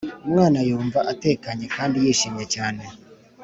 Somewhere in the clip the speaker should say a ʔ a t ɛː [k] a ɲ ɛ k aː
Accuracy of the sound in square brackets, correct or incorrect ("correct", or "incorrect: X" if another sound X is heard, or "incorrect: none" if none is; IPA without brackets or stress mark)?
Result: correct